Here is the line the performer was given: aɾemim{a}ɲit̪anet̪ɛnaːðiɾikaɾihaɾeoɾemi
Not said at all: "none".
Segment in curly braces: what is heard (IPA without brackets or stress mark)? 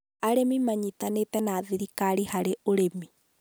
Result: a